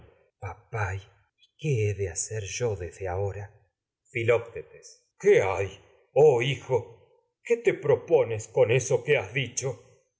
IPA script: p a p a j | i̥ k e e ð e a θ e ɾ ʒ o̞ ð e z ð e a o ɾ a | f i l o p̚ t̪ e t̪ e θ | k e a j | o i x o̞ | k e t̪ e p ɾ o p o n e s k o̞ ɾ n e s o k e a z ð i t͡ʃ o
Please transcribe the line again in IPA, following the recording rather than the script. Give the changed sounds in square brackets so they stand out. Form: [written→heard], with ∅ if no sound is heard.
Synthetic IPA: p a p a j | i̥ k e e ð e a [θ→s] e ɾ ʒ o̞ ð e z ð e a o ɾ a | f i l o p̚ t̪ e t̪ e [θ→s] | k e a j | o i x o̞ | k e t̪ e p ɾ o p o n e s k o̞ [ɾ→∅] n e s o k e a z ð i t͡ʃ o